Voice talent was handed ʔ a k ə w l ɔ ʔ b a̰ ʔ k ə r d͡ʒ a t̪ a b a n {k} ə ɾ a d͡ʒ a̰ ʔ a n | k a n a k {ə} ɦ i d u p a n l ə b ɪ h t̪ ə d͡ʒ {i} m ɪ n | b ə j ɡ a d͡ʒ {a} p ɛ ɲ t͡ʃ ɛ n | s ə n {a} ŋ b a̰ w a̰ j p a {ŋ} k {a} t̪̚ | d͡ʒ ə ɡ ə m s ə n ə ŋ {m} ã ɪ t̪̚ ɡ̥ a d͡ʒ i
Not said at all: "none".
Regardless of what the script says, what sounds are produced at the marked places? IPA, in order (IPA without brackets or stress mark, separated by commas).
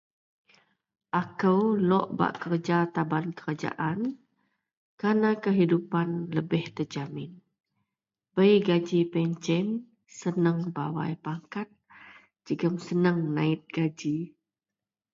k, ə, a, i, ə, ŋ, a, n